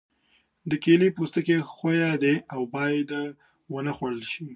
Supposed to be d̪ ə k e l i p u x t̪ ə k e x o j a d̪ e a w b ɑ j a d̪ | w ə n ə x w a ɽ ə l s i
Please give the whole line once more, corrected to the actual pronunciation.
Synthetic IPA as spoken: d̪ ə k e l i p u s t̪ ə k e x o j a d̪ e a w b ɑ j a d̪ | w ə n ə x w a ɽ ə l ʃ i